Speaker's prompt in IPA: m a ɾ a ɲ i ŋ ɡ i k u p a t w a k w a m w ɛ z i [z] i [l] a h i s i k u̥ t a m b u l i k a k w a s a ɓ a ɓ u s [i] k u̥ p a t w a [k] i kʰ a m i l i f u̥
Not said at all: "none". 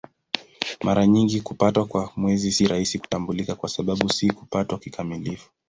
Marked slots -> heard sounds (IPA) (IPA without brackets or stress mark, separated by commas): s, ɾ, i, k